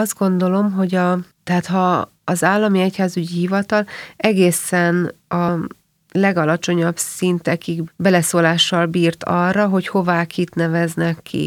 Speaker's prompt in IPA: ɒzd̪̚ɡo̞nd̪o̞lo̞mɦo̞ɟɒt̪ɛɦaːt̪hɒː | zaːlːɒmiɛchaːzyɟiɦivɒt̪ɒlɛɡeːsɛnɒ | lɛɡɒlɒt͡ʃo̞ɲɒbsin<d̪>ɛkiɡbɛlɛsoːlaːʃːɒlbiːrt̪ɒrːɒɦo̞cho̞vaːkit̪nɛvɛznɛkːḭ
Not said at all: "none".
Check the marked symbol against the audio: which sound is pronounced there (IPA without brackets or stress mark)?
t̪